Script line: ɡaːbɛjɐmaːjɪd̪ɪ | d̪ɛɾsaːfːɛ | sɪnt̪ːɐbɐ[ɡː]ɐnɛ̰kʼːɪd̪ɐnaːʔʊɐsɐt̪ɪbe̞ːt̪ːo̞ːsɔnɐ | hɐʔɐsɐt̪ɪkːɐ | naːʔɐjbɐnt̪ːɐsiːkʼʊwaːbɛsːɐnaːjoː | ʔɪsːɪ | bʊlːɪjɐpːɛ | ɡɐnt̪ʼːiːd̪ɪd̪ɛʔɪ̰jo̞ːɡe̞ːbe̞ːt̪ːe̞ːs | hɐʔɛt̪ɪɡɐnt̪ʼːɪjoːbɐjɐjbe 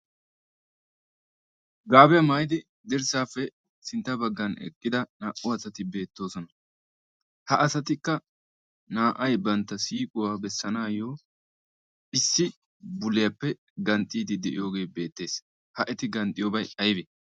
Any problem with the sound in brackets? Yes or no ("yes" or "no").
no